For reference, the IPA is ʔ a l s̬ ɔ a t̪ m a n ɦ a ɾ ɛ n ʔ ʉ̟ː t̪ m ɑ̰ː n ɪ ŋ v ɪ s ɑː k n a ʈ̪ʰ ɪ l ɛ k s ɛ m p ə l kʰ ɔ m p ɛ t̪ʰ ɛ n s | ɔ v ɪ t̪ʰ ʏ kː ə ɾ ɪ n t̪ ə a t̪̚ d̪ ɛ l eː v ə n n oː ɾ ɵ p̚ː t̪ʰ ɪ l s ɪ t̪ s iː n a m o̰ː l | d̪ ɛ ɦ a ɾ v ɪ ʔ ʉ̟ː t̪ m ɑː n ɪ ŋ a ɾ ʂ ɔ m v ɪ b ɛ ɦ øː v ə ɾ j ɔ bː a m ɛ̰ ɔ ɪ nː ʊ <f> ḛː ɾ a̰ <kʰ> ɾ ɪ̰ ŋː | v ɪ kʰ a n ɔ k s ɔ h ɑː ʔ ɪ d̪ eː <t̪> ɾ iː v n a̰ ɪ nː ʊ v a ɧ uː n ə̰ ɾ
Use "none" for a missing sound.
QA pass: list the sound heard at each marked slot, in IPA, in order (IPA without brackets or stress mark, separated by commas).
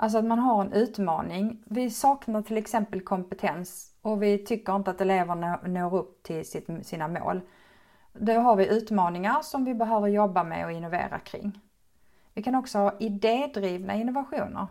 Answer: v, kʰ, d̪